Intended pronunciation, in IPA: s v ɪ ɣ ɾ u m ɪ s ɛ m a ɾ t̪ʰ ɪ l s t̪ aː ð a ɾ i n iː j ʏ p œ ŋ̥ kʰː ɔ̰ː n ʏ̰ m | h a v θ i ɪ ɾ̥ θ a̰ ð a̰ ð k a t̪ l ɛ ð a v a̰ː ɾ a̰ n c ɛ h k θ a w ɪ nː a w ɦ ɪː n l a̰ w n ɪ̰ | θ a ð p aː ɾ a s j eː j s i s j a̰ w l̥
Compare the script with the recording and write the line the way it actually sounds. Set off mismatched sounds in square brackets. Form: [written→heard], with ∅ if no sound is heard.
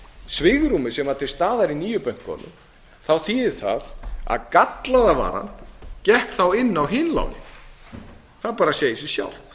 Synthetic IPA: s v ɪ ɣ ɾ u m ɪ s ɛ m a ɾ t̪ʰ ɪ l s t̪ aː ð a ɾ i n iː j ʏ p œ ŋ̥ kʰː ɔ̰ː n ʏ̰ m | [h→θ] a [v→w] θ i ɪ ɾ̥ θ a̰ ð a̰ ð k a t̪ l [ɛ→a] ð a v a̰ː ɾ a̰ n c ɛ h k θ a w ɪ nː a w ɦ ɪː n l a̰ w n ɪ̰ | θ a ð p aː ɾ a s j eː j s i s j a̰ w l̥